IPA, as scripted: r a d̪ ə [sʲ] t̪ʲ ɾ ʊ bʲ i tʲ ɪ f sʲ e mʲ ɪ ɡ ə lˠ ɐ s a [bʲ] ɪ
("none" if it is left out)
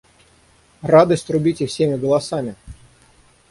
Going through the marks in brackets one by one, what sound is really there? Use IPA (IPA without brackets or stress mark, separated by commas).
sʲ, mʲ